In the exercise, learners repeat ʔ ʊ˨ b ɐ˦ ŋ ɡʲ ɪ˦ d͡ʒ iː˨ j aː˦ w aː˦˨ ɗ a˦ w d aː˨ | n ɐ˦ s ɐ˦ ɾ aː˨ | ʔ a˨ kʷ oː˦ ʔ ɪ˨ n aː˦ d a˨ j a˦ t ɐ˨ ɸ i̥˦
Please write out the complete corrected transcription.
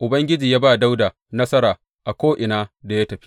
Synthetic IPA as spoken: ʔ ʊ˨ b ɐ˦ ŋ ɡʲ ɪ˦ d͡ʒ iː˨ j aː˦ b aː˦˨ d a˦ w d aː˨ | n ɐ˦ s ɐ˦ ɾ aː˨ | ʔ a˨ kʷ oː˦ ʔ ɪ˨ n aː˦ d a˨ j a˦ t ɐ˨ ɸ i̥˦